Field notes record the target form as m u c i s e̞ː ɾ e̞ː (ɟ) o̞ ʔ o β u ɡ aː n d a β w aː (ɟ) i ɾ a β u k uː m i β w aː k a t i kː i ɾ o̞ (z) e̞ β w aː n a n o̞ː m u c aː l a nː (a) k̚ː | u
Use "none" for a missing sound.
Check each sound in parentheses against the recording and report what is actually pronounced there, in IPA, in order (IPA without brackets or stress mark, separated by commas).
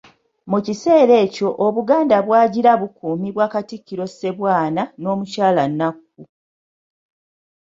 c, ɟ, s, a